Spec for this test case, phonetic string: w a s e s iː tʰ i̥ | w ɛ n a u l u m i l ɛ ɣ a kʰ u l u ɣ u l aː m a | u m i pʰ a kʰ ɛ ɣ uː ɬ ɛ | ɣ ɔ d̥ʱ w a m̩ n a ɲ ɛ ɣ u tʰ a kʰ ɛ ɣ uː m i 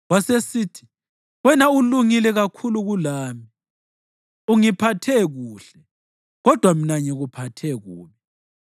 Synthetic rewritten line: w a s e s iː tʰ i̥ | w ɛ n a u l u ŋ i l ɛ ɣ a kʰ u l u ɣ u l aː m i | u ŋ i pʰ a tʰ ɛ ɣ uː ɬ ɛ | ɣ ɔ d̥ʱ w a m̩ n a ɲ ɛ ɣ u pʰ a tʰ ɛ ɣ uː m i